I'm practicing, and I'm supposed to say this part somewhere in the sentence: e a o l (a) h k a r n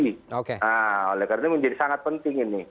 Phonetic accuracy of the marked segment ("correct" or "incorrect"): incorrect